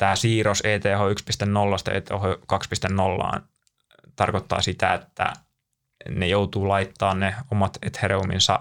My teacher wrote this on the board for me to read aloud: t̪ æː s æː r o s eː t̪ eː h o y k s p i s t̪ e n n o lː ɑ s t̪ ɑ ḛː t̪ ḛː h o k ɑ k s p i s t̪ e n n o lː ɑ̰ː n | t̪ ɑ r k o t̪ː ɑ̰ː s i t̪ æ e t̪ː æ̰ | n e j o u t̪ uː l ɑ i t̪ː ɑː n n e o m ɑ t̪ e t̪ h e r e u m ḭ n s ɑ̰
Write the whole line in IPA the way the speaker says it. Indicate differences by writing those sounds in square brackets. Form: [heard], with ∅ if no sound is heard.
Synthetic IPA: t̪ æː s [iː] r o s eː t̪ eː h o y k s p i s t̪ e n n o lː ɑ s t̪ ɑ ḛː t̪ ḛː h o k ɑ k s p i s t̪ e n n o lː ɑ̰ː n | t̪ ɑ r k o t̪ː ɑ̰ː s i t̪ æ e t̪ː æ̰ | n e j o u t̪ uː l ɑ i t̪ː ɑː n n e o m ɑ t̪ e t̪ h e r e u m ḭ n s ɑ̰